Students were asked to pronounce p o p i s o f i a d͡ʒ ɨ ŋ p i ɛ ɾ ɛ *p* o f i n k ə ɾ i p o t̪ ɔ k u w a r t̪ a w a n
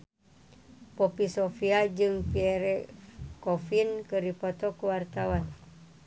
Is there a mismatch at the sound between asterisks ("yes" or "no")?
yes